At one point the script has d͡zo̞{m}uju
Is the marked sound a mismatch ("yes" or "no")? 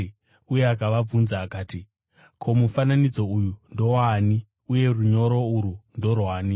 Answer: yes